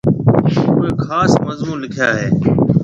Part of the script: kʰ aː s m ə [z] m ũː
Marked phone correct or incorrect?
correct